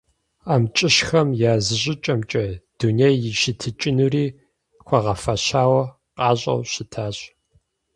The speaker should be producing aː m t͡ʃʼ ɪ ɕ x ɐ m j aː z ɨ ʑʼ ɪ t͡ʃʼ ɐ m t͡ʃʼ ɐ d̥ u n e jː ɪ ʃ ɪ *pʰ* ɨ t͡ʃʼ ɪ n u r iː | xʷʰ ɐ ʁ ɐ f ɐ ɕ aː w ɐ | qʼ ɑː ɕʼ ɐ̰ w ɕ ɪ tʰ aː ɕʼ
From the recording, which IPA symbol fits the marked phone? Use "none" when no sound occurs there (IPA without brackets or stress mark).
tʰ